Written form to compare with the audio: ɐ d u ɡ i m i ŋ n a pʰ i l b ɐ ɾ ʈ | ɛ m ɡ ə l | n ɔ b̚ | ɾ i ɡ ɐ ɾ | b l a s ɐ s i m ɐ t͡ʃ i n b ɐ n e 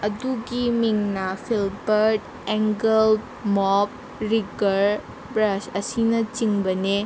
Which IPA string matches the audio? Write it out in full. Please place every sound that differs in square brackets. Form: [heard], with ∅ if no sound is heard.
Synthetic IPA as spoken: ɐ d u ɡ i m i ŋ n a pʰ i l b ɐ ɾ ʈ | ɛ [ŋ] ɡ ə l | [m] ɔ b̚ | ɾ i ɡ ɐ ɾ | b [ɾ] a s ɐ s i [n] ɐ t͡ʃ i [ŋ] b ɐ n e